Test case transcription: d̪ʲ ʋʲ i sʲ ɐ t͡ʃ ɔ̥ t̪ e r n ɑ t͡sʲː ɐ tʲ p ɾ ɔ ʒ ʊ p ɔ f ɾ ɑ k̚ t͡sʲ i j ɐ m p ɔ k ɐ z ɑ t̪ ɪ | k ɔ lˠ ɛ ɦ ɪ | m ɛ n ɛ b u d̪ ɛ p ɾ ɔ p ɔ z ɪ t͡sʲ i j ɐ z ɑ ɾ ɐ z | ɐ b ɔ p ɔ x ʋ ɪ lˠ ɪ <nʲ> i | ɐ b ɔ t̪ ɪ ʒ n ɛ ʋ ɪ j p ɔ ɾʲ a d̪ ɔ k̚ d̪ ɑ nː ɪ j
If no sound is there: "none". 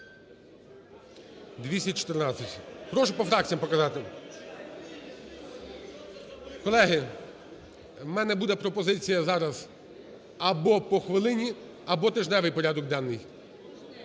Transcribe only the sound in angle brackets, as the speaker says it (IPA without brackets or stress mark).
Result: nʲ